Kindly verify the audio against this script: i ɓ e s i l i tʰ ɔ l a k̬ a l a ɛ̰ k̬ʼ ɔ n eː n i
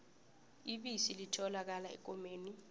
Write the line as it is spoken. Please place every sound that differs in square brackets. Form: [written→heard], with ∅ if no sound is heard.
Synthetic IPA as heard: i ɓ [e→i] s i l i tʰ ɔ l a k̬ a l a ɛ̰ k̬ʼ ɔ [n→m] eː n i